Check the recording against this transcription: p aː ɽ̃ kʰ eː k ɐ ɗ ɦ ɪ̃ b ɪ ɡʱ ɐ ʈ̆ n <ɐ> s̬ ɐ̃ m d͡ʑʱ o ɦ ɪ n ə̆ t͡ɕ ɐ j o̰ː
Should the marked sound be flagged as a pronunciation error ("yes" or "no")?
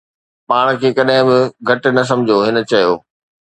no